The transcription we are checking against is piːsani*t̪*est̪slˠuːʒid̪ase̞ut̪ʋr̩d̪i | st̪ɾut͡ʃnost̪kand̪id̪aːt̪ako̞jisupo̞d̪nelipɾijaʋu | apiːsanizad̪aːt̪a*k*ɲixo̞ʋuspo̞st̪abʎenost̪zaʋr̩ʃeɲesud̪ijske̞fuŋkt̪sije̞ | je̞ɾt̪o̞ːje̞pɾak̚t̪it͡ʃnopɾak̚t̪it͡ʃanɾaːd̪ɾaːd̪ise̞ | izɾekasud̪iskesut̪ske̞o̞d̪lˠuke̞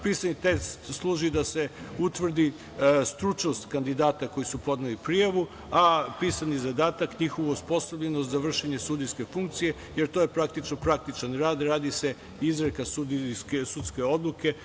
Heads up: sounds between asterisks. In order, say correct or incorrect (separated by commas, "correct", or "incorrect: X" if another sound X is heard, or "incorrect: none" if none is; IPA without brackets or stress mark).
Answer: correct, correct